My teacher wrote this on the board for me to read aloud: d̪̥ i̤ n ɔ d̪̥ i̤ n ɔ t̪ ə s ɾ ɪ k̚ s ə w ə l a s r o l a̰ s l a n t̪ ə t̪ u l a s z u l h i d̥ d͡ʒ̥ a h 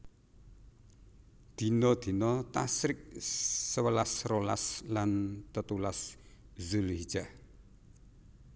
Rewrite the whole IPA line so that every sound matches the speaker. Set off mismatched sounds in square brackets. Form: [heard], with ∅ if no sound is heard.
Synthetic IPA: d̪̥ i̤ n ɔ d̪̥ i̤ n ɔ t̪ [a] s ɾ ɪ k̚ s ə w ə l a s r o l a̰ s l a n t̪ ə t̪ u l a s z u l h i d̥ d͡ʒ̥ a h